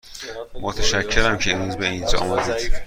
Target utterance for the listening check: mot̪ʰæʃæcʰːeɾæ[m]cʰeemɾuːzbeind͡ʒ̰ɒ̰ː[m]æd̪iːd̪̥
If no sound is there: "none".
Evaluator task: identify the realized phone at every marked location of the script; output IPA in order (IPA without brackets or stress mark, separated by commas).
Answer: m, m